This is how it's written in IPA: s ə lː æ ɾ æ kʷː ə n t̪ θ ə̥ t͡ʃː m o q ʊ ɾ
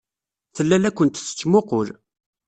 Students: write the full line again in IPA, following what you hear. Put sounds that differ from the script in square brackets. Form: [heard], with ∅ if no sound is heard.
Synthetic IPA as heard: [θ] ə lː æ [l] æ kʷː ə n t̪ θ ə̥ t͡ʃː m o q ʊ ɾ